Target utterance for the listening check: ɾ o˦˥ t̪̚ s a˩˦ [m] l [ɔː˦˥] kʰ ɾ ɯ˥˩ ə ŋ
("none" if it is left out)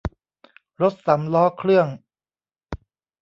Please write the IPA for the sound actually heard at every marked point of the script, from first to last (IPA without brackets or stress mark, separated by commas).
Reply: m, ɔː˦˥